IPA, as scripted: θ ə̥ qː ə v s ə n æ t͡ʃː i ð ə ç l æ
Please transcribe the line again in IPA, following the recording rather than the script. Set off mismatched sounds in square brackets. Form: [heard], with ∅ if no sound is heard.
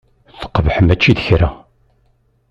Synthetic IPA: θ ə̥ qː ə v [ħ] ə [m] æ t͡ʃː i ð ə ç [ɾ] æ

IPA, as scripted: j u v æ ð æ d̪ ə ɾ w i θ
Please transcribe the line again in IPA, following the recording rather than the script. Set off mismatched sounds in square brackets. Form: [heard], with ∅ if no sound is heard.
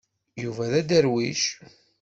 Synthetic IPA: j u v æ ð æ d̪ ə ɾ w i [ʃ]

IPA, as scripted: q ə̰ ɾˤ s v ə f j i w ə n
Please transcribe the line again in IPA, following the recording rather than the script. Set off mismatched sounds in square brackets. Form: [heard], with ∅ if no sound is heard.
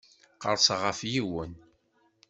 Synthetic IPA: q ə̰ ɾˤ s [ʁ] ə f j i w ə n

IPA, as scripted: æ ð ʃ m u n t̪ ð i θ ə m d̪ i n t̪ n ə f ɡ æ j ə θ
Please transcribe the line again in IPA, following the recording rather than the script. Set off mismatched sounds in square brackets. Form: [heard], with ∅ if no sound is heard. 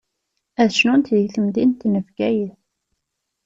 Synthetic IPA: æ ð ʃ [n] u n t̪ ð i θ ə m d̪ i n t̪ n ə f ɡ æ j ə θ

